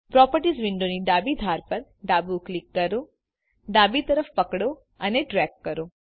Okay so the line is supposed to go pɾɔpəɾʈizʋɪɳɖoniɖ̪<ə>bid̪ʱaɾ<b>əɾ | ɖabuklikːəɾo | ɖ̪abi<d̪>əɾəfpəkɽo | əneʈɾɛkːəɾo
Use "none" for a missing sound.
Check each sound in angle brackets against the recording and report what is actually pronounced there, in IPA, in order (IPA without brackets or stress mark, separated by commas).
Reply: a, p, t̪